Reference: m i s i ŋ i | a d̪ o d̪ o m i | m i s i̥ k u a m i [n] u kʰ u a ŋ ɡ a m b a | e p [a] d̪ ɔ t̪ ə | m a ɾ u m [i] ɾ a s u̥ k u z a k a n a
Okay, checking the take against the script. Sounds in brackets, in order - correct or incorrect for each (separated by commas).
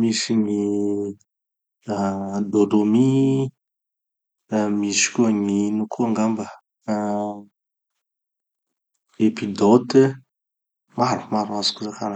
correct, incorrect, incorrect